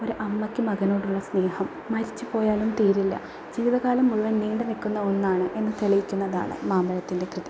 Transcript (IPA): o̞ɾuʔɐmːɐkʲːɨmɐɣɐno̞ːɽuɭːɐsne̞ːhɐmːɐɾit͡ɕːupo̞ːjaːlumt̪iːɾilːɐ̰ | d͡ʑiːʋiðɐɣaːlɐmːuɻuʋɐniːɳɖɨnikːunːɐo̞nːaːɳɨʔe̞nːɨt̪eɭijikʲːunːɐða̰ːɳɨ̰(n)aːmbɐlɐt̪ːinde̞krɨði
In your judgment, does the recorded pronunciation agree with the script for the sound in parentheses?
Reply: no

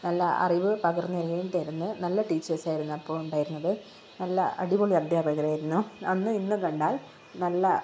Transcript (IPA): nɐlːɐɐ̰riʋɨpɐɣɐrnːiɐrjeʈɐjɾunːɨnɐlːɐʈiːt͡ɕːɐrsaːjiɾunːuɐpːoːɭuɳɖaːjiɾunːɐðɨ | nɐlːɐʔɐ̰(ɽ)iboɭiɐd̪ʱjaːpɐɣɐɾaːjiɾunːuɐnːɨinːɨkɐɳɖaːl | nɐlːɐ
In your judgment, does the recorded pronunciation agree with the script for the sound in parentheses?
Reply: yes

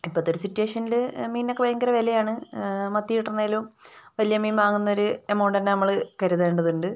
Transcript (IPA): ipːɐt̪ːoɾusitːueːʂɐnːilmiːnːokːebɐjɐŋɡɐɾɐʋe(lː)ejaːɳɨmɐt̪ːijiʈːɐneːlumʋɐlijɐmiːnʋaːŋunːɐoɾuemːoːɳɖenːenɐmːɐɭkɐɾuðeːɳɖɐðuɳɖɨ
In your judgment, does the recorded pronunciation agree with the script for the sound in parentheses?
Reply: no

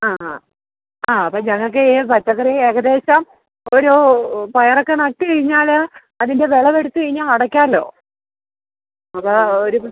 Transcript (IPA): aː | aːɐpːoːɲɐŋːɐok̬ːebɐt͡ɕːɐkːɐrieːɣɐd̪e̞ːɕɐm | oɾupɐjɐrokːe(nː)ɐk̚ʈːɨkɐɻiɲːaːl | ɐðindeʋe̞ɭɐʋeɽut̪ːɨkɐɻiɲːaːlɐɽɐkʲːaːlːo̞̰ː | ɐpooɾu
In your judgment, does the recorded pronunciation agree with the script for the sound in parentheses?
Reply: no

